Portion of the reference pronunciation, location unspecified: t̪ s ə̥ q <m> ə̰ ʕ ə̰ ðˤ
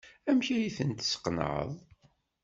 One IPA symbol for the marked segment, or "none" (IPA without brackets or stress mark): n